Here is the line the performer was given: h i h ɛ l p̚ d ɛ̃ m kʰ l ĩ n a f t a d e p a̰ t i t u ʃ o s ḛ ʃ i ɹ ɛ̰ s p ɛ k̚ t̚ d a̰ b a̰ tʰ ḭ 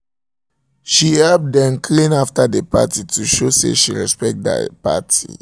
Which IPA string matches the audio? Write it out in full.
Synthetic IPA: ʃ i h ɛ l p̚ d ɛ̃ m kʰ l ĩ n a f t a d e p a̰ t i t u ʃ o s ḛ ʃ i ɹ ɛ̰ s p ɛ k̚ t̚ d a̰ p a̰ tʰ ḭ